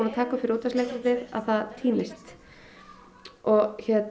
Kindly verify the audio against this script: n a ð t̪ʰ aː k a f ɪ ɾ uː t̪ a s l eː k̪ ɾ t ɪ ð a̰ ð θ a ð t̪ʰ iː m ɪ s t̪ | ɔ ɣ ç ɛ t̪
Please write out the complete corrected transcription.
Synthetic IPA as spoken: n a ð t̪ʰ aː k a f ɪ ɾ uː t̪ a s l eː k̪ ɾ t ɪ ð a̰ ð θ a ð t̪ʰ iː m ɪ s t̪ | ɔ ɣ ç ɛ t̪